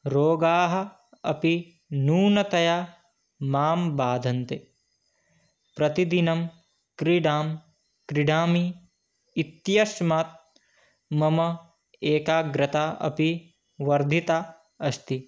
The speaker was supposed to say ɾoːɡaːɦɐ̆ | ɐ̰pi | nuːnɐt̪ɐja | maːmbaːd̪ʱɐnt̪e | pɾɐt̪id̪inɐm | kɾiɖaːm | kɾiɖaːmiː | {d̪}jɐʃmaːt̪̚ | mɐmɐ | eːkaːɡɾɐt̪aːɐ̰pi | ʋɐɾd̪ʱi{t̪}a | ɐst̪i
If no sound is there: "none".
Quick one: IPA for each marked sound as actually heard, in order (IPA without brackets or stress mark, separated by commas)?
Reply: t̪, t̪